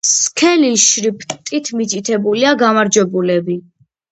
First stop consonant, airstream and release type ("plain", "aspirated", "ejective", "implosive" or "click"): aspirated